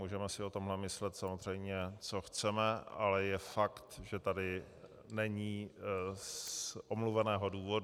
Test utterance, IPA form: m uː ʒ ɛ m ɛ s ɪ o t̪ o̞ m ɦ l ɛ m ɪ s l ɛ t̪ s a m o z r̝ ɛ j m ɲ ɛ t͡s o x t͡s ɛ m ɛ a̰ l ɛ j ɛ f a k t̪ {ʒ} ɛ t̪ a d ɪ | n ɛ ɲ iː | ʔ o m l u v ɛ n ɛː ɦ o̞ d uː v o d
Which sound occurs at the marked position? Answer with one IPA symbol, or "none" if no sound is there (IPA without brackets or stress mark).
ʒ